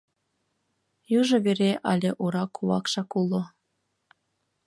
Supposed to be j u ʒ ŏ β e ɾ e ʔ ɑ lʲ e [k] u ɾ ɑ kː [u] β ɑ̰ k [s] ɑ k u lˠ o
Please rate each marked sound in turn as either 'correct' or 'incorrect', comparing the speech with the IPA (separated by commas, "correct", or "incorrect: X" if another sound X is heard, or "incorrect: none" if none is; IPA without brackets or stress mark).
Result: incorrect: ʔ, correct, incorrect: ʃ